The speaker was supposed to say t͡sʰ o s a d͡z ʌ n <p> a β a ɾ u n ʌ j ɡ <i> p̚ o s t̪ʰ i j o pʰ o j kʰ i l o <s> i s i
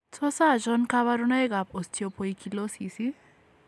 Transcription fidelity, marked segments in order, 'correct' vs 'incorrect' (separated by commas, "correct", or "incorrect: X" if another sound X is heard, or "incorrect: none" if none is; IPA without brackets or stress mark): incorrect: k, incorrect: a, correct